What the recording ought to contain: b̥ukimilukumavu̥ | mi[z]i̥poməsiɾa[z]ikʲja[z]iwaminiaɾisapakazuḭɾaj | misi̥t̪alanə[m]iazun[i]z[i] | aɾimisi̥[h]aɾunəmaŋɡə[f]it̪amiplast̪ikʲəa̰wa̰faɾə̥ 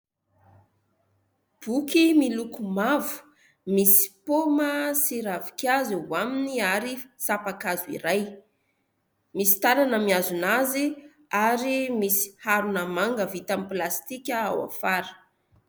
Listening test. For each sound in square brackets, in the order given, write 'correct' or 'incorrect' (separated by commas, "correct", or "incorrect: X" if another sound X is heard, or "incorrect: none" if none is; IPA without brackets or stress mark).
incorrect: s, incorrect: v, correct, correct, incorrect: a, correct, correct, incorrect: v